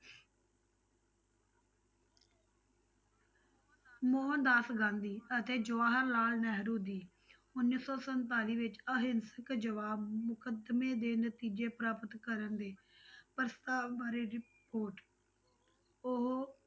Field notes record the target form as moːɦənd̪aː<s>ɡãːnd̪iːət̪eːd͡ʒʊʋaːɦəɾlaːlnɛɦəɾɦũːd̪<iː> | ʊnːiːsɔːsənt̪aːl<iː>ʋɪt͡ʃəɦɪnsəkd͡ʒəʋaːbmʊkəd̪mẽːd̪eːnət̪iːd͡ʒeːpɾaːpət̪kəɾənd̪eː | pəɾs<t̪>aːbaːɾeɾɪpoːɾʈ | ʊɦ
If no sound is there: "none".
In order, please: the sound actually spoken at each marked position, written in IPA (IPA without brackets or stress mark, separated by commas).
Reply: s, iː, iː, t̪